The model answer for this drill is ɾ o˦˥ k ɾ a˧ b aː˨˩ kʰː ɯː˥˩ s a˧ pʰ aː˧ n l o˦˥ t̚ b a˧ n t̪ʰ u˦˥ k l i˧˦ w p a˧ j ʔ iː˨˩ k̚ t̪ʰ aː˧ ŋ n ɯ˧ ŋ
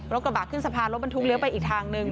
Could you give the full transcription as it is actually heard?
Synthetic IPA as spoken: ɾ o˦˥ k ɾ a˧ b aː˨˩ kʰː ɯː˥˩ s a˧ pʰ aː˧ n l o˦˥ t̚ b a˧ n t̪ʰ u˦˥ k l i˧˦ w p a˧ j ʔ iː˨˩ k̚ t̪ʰ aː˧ ŋ n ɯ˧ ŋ